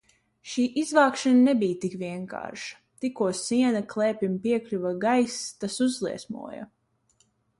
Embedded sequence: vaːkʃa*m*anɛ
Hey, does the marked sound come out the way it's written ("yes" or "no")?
no